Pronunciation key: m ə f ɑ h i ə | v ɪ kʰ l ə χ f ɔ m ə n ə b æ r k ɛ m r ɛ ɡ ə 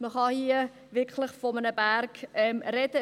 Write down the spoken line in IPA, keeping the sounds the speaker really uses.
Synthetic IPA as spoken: m ə χ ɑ h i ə | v ɪ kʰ l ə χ f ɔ m ə n ə b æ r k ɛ m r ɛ d ə